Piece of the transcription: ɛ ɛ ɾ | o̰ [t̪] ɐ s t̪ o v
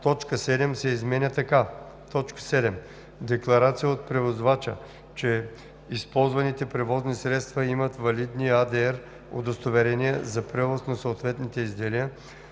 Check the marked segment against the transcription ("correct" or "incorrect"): incorrect